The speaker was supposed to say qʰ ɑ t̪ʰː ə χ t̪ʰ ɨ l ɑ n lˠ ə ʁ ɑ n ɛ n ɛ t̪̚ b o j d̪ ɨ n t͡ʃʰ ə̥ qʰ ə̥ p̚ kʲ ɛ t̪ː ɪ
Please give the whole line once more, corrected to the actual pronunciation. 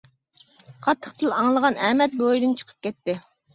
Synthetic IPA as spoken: qʰ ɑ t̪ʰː ə χ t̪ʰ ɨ l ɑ ŋ lˠ ə ʁ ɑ n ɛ m ɛ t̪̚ b o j d̪ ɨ n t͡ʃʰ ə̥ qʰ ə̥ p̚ kʲ ɛ t̪ː ɪ